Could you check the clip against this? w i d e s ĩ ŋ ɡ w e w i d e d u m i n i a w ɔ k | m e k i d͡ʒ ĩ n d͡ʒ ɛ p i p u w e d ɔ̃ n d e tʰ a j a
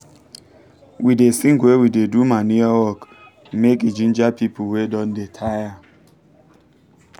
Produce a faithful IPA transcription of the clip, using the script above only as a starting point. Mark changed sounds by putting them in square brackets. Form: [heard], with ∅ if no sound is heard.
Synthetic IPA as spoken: w i d e s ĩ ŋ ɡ w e w i d e d u m [a] n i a w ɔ k | m e k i d͡ʒ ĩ n d͡ʒ [a] p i p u w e d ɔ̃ n d e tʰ a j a